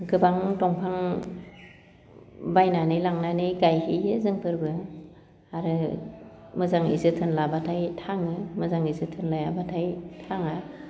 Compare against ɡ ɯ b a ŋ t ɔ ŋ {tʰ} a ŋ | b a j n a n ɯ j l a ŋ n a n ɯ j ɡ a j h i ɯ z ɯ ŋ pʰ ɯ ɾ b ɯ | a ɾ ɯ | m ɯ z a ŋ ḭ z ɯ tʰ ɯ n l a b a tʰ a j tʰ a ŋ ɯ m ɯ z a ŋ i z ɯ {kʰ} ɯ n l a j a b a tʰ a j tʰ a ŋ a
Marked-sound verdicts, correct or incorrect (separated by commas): incorrect, incorrect